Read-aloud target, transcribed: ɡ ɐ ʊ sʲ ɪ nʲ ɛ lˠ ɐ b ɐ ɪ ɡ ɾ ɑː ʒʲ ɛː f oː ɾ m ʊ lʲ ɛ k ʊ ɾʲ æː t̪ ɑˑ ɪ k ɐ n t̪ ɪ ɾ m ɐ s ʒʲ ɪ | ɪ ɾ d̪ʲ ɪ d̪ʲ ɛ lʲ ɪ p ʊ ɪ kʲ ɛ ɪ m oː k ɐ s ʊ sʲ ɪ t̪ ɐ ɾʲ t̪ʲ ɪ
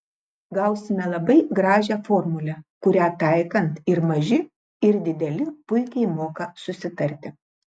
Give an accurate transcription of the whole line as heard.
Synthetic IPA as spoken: ɡ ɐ ʊ sʲ ɪ mʲ ɛ lˠ ɐ b ɐ ɪ ɡ ɾ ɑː ʒʲ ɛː f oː ɾ m ʊ lʲ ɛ k ʊ ɾʲ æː t̪ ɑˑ ɪ k ɐ n t̪ ɪ ɾ m ɐ ʒʲ ɪ | ɪ ɾ d̪ʲ ɪ d̪ʲ ɛ lʲ ɪ p ʊ ɪ kʲ ɛ ɪ m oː k ɐ s ʊ sʲ ɪ t̪ ɐ ɾʲ t̪ʲ ɪ